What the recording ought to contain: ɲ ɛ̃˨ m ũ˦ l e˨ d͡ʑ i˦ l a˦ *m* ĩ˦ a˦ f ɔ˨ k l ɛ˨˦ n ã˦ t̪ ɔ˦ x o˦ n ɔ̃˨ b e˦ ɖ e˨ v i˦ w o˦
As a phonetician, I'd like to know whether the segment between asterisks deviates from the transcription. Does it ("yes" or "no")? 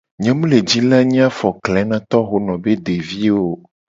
yes